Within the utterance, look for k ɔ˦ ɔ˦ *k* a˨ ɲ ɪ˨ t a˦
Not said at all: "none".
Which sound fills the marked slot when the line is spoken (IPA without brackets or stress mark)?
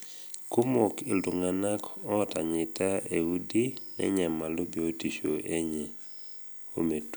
t